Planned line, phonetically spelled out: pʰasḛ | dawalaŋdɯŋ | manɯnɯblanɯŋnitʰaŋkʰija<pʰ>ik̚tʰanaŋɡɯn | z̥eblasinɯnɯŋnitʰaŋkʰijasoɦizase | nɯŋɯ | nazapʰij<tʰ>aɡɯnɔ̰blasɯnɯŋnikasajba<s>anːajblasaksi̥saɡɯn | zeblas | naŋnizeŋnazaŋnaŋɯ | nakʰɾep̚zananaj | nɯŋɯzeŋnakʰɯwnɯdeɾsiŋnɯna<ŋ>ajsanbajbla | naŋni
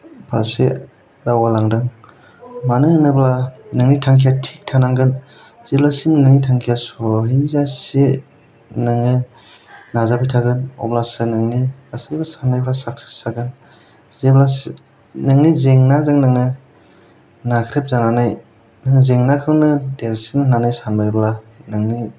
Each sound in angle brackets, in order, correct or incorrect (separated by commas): incorrect, correct, correct, incorrect